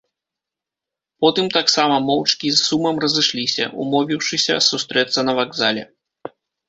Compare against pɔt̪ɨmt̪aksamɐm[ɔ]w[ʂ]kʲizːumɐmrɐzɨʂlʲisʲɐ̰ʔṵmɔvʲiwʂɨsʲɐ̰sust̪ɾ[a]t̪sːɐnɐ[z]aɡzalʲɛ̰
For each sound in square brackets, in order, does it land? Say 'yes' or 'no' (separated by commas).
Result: yes, no, no, no